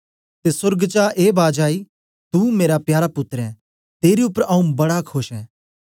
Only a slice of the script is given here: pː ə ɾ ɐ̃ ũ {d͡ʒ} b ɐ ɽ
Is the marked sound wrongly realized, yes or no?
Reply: yes